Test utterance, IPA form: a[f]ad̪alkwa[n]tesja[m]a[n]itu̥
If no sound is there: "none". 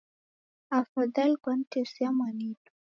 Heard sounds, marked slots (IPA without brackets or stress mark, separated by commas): f, n, m, n